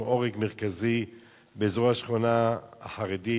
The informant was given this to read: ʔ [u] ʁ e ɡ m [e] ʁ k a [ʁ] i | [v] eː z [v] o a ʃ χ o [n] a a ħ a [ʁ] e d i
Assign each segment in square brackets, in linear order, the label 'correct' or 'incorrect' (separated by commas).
incorrect, correct, incorrect, incorrect, incorrect, correct, correct